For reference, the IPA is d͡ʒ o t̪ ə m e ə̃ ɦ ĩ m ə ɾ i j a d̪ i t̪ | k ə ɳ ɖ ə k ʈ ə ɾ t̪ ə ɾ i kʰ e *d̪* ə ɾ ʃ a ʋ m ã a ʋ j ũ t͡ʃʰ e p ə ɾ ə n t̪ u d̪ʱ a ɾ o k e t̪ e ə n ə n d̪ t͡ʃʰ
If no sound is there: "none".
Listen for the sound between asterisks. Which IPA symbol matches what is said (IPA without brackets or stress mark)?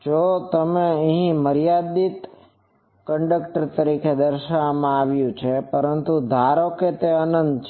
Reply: d̪